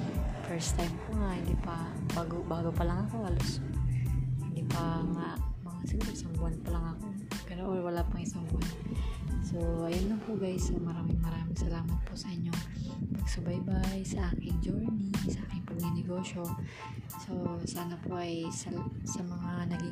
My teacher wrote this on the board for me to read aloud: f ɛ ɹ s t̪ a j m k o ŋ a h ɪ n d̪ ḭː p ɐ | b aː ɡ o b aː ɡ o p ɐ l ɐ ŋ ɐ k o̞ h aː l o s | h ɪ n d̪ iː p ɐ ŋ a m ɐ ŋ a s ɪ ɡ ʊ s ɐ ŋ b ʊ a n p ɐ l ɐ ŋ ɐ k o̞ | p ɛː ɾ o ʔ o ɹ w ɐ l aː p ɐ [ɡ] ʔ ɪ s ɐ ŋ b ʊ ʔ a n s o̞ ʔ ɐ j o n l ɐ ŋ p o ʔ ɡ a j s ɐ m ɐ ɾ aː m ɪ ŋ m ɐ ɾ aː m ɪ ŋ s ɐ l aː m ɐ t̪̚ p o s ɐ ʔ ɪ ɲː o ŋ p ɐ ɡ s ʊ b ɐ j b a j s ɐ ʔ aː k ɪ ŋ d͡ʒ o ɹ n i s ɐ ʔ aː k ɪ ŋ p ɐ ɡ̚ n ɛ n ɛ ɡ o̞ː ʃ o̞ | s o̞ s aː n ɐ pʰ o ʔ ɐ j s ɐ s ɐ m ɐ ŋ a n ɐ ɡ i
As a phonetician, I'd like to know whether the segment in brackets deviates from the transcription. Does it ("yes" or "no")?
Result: yes